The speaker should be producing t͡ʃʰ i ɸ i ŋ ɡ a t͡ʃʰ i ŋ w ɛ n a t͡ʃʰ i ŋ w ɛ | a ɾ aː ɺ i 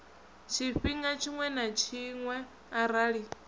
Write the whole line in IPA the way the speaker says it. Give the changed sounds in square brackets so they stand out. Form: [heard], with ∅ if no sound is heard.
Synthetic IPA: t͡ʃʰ i ɸ i ŋ ɡ a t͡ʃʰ i ŋ w ɛ n a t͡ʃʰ i ŋ w ɛ | a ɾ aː ɺ i